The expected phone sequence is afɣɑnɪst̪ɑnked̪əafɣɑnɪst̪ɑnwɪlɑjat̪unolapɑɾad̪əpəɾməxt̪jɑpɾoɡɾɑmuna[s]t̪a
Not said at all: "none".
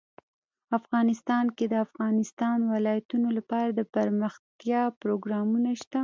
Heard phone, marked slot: ʃ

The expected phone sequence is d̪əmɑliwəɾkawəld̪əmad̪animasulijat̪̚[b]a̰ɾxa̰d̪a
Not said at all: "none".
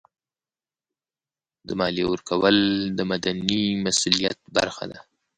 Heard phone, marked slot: b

